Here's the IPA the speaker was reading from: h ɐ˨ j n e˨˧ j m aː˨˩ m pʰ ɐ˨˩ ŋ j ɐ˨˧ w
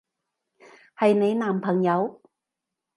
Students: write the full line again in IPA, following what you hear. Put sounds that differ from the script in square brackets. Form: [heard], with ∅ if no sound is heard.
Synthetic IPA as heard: h ɐ˨ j n e˨˧ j [n] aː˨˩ m pʰ ɐ˨˩ ŋ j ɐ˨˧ w